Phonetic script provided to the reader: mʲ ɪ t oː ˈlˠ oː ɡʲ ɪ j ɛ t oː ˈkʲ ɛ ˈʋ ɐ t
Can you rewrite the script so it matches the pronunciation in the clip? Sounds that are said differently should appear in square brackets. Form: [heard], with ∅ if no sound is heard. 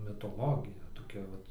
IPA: mʲ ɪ t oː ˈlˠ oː ɡʲ ɪ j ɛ t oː ˈkʲ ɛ ˈʋ ɐ t